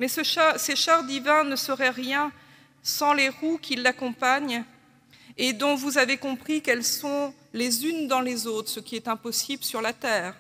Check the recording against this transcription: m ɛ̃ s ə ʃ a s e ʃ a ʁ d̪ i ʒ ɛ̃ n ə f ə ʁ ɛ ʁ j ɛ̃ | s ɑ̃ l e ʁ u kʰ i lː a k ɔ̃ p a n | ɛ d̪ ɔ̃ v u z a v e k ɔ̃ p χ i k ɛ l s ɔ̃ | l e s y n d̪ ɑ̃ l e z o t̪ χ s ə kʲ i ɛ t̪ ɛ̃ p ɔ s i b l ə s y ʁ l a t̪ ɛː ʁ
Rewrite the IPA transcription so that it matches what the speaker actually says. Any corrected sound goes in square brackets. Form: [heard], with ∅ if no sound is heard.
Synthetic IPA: m [ɛ] s ə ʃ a s e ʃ a ʁ d̪ i [v] ɛ̃ n ə [s] ə ʁ ɛ ʁ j ɛ̃ | s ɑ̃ l e ʁ u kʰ i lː a k ɔ̃ p a [ɲ] | [e] d̪ ɔ̃ v u z a v e k ɔ̃ p χ i k ɛ l s ɔ̃ | l e [z] y n d̪ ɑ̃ l e z o t̪ χ s ə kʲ i ɛ t̪ ɛ̃ p ɔ s i b l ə s y ʁ l a t̪ ɛː ʁ